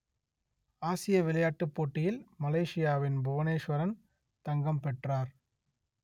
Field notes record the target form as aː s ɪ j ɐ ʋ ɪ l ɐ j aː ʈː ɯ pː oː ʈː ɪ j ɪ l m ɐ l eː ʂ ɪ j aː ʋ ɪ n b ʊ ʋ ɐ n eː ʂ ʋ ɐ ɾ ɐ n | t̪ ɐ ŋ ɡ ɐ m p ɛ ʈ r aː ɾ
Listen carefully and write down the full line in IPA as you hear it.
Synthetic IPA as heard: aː s ɪ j ɐ ʋ ɪ l ɐ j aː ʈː ɯ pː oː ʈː ɪ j ɪ l m ɐ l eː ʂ ɪ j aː ʋ ɪ n b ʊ ʋ ɐ n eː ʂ ʋ ɐ ɾ ɐ n | t̪ ɐ ŋ ɡ ɐ m p ɛ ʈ r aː ɾ